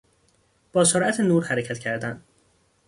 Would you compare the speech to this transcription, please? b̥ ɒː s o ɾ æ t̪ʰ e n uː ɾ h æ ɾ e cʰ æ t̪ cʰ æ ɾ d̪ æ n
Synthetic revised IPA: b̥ ɒː s o ɾ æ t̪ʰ e n uː ɾ h æ ɾ e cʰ æ t̪ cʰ æ ɾ d̪ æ n